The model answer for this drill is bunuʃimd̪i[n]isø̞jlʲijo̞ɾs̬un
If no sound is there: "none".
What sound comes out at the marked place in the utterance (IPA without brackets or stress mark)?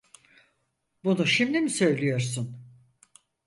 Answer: m